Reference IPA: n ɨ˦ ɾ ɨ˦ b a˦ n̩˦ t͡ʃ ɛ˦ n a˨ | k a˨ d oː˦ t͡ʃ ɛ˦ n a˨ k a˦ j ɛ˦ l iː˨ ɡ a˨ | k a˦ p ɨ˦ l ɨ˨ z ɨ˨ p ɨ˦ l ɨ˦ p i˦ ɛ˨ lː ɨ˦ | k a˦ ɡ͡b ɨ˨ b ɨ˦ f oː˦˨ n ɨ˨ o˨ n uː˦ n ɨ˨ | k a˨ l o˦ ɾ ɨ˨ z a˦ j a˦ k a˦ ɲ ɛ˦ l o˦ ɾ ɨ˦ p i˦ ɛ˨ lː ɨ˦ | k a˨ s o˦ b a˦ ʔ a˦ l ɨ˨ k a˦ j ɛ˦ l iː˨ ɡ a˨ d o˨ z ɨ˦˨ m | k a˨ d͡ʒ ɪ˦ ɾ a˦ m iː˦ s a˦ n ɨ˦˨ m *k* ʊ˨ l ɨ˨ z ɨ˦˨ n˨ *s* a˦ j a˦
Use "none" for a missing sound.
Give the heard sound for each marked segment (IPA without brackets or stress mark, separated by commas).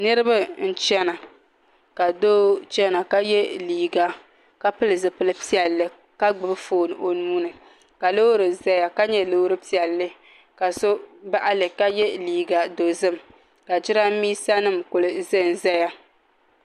k, z